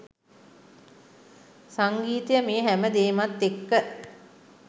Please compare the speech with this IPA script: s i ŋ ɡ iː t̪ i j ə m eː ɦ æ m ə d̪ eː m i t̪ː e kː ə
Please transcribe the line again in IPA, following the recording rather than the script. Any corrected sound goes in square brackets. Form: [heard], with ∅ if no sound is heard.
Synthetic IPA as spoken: s [a] ŋ ɡ iː t̪ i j ə m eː ɦ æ m ə d̪ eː m [a] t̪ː e kː ə